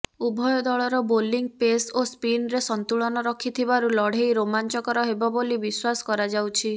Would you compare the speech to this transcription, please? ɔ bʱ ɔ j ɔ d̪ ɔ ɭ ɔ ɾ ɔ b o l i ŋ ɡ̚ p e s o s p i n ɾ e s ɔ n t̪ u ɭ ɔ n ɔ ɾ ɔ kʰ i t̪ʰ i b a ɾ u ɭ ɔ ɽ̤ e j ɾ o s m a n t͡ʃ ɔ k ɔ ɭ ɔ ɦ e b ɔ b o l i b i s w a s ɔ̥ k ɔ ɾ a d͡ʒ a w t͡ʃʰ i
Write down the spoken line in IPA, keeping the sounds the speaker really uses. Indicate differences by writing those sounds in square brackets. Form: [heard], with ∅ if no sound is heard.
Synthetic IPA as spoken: [u] bʱ ɔ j ɔ d̪ ɔ ɭ ɔ ɾ ɔ b o l i ŋ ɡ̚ p e s o s p i n ɾ e s ɔ n t̪ u ɭ ɔ n ɔ ɾ ɔ kʰ i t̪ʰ i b a ɾ u [l] ɔ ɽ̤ e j ɾ o [∅] m a n t͡ʃ ɔ k ɔ [ɾ] ɔ ɦ e b ɔ b o l i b i s w a s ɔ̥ k ɔ ɾ a d͡ʒ a w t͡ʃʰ i